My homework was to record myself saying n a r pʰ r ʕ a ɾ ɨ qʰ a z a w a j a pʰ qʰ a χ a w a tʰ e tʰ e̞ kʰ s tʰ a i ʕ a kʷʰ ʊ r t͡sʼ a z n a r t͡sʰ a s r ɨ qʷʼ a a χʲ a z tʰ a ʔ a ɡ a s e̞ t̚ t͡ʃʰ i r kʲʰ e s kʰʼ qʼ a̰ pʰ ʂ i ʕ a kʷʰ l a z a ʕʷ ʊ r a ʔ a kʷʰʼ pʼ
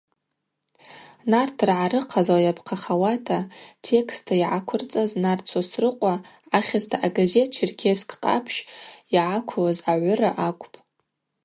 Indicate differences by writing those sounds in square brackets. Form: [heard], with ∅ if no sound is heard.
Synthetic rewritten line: n a r [tʰ] r ʕ a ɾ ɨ qʰ a z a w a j a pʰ qʰ a χ a w a tʰ [a] tʰ e̞ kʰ s tʰ a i ʕ a kʷʰ ʊ r t͡sʼ a z n a r t͡sʰ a s r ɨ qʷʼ a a χʲ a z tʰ a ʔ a ɡ a [z] e̞ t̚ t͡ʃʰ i r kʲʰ e s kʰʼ qʼ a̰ pʰ [ʃ] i ʕ a kʷʰ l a z a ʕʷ ʊ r a ʔ a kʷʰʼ pʼ